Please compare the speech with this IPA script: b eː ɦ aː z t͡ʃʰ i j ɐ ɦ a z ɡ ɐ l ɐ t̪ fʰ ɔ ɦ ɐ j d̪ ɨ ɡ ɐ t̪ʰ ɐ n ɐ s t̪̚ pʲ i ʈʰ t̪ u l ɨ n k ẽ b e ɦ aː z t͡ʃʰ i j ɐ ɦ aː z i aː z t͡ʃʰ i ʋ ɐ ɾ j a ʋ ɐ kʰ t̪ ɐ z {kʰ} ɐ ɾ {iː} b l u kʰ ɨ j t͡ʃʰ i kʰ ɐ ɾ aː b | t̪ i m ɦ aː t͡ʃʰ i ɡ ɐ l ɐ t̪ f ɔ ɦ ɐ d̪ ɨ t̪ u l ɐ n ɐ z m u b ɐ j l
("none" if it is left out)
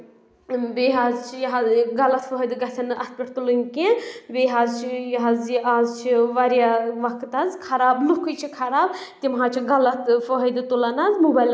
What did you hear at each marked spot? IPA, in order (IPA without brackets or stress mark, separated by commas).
kʰ, aː